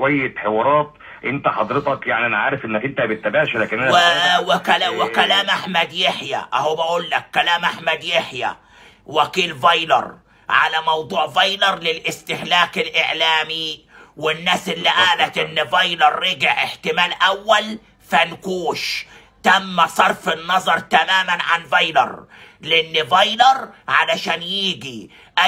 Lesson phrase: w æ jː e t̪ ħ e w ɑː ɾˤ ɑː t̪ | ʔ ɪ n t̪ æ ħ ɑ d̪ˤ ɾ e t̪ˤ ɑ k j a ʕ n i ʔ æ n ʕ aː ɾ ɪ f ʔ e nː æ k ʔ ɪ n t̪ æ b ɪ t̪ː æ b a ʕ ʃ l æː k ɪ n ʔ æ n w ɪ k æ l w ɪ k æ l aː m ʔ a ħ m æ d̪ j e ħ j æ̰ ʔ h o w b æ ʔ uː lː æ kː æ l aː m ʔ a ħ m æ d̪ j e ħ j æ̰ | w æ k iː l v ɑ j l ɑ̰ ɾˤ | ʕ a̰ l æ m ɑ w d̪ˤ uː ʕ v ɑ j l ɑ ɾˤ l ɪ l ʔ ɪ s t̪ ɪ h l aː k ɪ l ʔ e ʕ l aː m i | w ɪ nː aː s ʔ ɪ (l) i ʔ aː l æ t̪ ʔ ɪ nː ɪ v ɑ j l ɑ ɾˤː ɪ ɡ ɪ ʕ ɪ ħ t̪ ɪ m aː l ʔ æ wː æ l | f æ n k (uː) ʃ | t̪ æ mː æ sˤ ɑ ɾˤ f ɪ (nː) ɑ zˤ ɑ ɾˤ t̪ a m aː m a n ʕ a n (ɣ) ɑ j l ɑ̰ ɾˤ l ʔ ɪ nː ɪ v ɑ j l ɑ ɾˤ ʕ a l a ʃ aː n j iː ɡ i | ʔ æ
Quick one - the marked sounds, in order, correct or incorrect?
incorrect: lː, correct, correct, incorrect: v

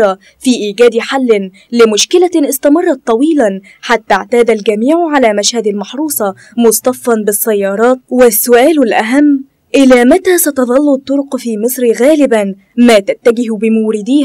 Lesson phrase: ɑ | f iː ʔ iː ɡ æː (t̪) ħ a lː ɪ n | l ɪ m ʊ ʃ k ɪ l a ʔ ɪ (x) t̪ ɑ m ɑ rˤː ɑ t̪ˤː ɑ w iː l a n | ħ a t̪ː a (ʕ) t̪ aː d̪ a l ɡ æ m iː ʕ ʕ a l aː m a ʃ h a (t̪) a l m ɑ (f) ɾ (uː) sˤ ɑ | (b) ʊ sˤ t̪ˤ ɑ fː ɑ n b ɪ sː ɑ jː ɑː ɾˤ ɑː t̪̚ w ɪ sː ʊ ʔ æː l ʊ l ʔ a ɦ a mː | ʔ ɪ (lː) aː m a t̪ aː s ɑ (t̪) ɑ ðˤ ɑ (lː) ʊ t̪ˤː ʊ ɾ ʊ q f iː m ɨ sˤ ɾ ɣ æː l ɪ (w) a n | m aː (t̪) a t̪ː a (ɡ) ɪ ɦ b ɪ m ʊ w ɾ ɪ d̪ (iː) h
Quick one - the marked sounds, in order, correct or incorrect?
incorrect: d̪, incorrect: s, correct, incorrect: d̪, incorrect: ħ, correct, incorrect: m, incorrect: l, correct, correct, incorrect: b, correct, correct, correct

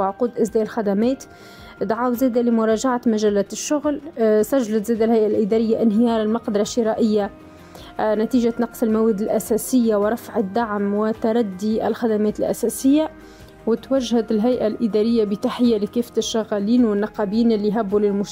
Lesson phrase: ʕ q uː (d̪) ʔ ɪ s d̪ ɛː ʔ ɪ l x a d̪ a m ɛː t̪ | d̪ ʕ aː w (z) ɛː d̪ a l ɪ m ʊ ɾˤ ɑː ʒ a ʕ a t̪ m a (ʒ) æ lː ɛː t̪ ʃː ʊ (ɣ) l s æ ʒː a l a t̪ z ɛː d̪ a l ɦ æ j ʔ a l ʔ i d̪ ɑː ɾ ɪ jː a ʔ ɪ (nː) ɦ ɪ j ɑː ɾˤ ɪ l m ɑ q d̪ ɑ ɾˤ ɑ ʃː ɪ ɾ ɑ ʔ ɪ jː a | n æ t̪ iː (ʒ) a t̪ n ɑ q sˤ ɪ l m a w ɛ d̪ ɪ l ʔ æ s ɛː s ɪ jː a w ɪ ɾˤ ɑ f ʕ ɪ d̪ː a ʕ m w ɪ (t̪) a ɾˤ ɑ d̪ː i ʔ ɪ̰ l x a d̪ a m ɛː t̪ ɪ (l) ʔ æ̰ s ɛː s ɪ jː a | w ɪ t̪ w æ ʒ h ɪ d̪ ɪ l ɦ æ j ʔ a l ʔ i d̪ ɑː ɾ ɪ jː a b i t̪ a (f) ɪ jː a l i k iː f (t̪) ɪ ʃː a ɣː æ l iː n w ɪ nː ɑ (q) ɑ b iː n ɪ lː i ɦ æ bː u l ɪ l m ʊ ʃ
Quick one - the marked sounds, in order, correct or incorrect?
correct, correct, correct, correct, incorrect: n, correct, correct, correct, incorrect: ħ, correct, correct

